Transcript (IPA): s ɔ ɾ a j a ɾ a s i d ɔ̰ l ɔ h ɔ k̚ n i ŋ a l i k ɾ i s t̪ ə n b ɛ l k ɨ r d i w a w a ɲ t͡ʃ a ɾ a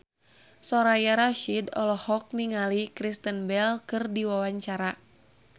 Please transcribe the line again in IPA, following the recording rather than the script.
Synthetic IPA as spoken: s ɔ ɾ a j a ɾ a ʃ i d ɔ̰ l ɔ h ɔ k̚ n i ŋ a l i k ɾ i s t̪ ə n b ɛ l k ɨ r d i w a w a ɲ t͡ʃ a ɾ a